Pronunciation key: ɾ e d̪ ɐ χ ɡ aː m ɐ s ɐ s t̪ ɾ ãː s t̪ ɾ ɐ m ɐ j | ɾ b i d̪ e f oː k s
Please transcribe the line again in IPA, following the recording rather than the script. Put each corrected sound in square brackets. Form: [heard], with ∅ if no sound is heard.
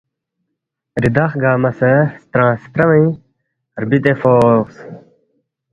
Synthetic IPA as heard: ɾ [i] d̪ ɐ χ ɡ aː m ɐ s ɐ s t̪ ɾ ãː s t̪ ɾ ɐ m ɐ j | ɾ b i [t̪] e f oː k s